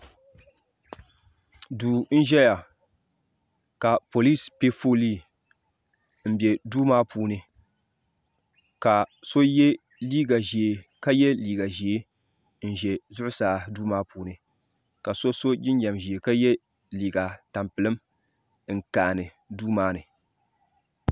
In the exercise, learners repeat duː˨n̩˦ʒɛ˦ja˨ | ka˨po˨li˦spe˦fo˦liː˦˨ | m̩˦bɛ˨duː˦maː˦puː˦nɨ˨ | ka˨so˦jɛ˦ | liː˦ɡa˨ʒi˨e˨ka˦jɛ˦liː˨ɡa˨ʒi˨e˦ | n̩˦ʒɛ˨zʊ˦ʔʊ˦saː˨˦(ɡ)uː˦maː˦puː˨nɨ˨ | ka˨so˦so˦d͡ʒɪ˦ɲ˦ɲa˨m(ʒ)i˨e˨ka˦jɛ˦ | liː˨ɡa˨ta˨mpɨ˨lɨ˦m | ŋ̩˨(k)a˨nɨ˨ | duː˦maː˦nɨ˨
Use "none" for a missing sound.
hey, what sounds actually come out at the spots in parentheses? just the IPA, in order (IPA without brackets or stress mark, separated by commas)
d, ʒ, k